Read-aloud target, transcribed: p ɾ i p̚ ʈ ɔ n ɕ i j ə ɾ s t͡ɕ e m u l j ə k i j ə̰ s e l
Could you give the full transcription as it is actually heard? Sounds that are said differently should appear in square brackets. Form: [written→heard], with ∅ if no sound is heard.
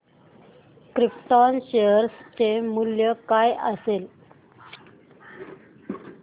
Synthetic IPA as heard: [p→k] ɾ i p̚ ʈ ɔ n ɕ [i→e] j ə ɾ s t͡ɕ e m u l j ə k [i→a] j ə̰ s e l